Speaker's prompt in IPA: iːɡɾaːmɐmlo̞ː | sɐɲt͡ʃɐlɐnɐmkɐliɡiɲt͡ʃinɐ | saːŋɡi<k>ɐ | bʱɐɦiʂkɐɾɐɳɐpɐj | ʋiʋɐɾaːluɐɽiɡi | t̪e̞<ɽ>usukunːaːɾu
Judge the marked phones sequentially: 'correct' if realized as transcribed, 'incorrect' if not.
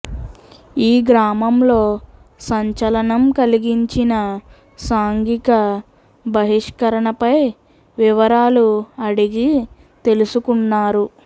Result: correct, incorrect

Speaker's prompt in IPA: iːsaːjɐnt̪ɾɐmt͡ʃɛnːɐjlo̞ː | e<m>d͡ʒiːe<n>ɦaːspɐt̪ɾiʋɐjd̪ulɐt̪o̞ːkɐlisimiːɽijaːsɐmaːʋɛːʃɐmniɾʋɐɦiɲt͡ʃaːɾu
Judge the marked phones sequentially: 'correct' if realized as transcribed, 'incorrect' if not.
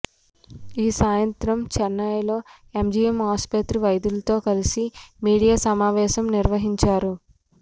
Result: correct, incorrect

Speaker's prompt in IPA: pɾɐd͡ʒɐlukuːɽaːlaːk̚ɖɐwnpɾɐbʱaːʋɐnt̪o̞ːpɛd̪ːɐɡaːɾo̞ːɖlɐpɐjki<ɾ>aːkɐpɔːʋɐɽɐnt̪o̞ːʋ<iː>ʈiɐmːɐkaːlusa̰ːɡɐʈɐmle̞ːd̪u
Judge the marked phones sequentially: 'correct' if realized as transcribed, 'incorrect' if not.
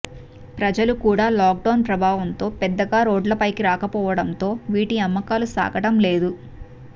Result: correct, correct

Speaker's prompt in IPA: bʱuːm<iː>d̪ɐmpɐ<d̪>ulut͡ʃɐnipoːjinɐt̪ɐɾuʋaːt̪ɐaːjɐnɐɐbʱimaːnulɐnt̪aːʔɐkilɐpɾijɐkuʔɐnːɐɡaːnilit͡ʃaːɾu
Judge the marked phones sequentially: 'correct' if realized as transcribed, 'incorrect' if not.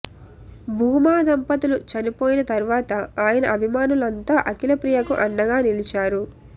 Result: incorrect, incorrect

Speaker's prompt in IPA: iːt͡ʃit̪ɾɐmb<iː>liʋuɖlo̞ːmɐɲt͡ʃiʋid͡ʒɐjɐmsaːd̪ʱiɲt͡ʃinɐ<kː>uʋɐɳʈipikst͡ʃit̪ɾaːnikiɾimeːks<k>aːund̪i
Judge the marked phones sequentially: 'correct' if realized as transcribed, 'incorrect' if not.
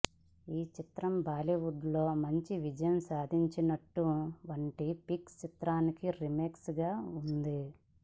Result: incorrect, incorrect, incorrect

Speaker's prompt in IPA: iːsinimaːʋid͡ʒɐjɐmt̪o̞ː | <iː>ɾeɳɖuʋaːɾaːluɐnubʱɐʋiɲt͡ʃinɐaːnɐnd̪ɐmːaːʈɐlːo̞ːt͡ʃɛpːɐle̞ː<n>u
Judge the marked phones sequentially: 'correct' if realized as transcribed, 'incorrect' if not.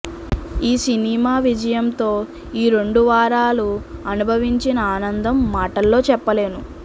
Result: correct, correct

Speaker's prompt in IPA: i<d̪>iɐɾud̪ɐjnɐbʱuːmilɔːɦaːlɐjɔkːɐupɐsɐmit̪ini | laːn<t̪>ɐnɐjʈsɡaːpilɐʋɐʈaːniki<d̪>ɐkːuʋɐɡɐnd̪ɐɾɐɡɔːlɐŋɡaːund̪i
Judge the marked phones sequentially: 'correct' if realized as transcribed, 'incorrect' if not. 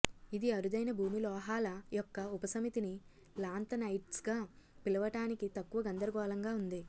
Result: correct, correct, incorrect

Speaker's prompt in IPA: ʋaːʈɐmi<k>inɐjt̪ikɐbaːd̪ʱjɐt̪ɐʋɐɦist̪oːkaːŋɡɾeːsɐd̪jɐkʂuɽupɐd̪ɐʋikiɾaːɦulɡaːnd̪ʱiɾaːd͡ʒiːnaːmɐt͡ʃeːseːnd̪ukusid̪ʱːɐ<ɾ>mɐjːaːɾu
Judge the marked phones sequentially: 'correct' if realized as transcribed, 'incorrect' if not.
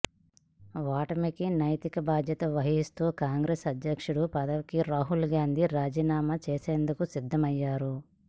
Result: correct, incorrect

